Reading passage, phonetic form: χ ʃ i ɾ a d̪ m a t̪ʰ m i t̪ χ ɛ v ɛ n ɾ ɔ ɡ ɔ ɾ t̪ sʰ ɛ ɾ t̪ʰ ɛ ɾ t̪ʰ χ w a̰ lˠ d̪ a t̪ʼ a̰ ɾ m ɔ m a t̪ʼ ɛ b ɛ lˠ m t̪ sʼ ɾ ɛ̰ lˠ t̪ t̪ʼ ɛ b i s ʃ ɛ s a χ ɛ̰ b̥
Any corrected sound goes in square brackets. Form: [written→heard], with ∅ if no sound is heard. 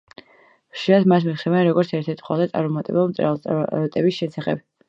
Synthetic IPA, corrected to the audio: χ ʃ i ɾ a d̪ m a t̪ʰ m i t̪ χ ɛ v ɛ n ɾ ɔ ɡ ɔ ɾ t̪ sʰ ɛ ɾ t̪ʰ ɛ ɾ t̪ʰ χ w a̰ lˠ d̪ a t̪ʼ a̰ ɾ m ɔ m a t̪ʼ ɛ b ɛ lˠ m t̪ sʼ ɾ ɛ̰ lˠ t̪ t̪ʼ ɛ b i s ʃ ɛ s a χ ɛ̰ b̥

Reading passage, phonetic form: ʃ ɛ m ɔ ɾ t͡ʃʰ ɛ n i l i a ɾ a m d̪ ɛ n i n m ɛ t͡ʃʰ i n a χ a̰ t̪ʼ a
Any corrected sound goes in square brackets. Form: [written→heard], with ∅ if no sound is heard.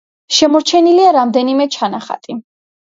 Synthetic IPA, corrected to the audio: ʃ ɛ m ɔ ɾ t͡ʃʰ ɛ n i l i a ɾ a m d̪ ɛ n i [n→∅] m ɛ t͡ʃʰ [i→a] n a χ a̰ t̪ʼ [a→i]

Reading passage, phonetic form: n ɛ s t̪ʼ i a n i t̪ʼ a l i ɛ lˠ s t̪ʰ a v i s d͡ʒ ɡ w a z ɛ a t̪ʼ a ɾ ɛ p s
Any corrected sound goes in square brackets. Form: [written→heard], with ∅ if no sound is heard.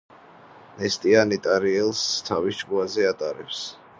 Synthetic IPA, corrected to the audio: n ɛ s t̪ʼ i a n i t̪ʼ a [l→ɾ] i ɛ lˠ s t̪ʰ a v i s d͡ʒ ɡ [w→u] a z ɛ a t̪ʼ a ɾ ɛ p s

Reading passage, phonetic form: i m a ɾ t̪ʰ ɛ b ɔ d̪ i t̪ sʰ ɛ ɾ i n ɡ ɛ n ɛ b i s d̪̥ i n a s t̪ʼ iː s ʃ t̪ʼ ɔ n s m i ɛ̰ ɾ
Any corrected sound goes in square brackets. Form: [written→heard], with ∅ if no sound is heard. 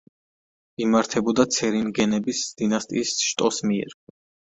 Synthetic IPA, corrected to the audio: i m a ɾ t̪ʰ ɛ b ɔ d̪ [i→a] t̪ sʰ ɛ ɾ i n ɡ ɛ n ɛ b i s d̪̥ i n a s t̪ʼ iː s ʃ t̪ʼ ɔ [n→∅] s m i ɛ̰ ɾ

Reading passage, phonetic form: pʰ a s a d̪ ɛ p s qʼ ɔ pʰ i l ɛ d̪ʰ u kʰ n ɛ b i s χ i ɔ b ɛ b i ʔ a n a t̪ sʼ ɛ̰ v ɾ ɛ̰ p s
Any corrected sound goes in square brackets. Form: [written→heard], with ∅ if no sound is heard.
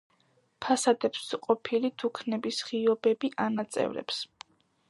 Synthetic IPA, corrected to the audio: pʰ a s a d̪ ɛ p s qʼ ɔ pʰ i l [ɛ→i] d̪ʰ u kʰ n ɛ b i s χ i ɔ b ɛ b i ʔ a n a t̪ sʼ ɛ̰ v ɾ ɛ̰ p s

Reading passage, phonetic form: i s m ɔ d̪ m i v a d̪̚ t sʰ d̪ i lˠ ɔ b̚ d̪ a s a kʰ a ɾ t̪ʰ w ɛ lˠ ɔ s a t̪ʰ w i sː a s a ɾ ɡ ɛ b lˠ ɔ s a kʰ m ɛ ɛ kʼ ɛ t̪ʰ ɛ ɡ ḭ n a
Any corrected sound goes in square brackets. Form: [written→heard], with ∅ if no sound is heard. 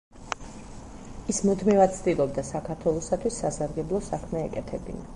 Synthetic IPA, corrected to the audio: i s m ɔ d̪ m i v a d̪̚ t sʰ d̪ i lˠ ɔ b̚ d̪ a s a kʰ a ɾ t̪ʰ w ɛ lˠ ɔ s a t̪ʰ w i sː a s a ɾ ɡ ɛ b lˠ ɔ s a kʰ m ɛ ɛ kʼ ɛ t̪ʰ ɛ [ɡ→b] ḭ n a

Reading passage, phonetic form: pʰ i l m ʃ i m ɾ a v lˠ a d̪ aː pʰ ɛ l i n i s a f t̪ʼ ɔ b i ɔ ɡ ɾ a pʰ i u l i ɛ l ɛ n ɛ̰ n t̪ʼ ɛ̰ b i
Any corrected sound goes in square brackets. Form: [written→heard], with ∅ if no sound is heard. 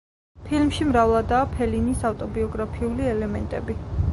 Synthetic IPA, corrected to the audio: pʰ i l m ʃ i m ɾ a v lˠ a d̪ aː pʰ ɛ l i n i s a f t̪ʼ ɔ b i ɔ ɡ ɾ a pʰ i u l i ɛ l ɛ [n→m] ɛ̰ n t̪ʼ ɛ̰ b i

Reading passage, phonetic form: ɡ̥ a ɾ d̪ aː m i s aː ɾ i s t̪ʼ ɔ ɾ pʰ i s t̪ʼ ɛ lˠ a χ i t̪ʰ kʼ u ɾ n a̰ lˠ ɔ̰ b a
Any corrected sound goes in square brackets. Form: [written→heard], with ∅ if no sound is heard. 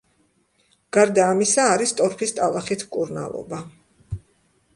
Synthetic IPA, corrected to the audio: ɡ̥ a ɾ d̪ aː m i s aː ɾ i s t̪ʼ ɔ ɾ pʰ i s t̪ʼ [ɛ→a] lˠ a χ i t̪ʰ kʼ u ɾ n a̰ lˠ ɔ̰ b a

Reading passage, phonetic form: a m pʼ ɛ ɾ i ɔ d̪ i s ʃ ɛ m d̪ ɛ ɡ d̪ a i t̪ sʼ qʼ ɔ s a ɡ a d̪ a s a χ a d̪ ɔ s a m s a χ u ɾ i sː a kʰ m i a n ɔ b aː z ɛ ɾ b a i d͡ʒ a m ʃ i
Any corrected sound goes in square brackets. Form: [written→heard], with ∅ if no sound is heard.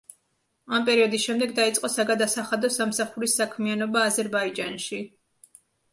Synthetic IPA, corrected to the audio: a m pʼ ɛ ɾ i ɔ d̪ i s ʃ ɛ m d̪ ɛ ɡ d̪ a i t̪ sʼ qʼ ɔ s a ɡ a d̪ a s a χ a d̪ ɔ s a m s a χ u ɾ i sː a kʰ m i a n ɔ b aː z ɛ ɾ b a i d͡ʒ a [m→n] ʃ i

